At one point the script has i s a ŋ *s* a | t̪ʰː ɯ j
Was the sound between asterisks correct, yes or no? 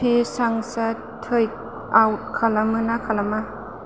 yes